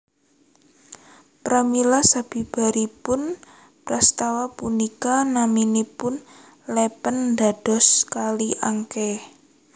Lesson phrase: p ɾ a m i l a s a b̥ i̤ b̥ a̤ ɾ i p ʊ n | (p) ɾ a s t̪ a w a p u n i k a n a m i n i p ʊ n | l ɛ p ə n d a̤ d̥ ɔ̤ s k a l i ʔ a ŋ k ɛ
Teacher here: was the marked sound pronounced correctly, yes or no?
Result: yes